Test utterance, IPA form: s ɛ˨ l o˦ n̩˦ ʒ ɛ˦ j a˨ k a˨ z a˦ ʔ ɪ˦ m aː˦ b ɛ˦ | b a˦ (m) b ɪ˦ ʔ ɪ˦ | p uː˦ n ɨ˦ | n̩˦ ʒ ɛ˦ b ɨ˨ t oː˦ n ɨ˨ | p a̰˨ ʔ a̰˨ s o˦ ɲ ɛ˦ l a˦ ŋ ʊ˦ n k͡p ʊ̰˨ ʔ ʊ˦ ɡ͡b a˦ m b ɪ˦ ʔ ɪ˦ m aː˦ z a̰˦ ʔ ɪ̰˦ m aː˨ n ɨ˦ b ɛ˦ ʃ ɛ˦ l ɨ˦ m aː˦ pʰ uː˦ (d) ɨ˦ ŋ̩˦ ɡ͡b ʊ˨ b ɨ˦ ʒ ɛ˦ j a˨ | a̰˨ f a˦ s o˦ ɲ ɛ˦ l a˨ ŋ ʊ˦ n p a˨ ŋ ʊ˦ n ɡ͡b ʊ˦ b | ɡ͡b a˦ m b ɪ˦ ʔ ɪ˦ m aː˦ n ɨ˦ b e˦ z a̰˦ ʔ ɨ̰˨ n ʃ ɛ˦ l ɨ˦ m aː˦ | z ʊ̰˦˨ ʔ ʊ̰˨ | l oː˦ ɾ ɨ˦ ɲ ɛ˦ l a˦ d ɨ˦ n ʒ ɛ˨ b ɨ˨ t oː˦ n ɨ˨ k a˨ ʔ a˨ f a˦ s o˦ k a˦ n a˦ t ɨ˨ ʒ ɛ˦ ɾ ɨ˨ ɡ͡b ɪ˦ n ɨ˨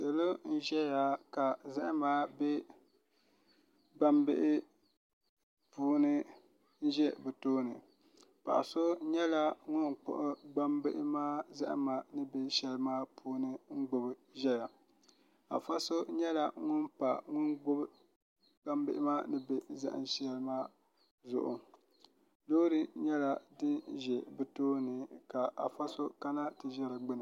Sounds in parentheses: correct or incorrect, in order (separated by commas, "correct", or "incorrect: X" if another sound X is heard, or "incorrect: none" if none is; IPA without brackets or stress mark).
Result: correct, incorrect: n